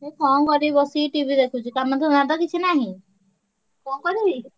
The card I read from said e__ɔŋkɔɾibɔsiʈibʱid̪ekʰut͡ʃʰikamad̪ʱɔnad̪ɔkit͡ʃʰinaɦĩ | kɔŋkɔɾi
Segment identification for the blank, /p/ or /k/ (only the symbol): k